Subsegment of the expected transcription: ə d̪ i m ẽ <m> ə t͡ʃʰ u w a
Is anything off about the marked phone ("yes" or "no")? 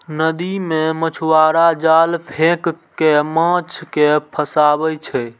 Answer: no